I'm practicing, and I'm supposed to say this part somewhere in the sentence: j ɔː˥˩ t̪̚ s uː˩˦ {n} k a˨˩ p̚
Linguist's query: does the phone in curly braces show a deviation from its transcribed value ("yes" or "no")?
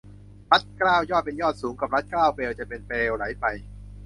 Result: yes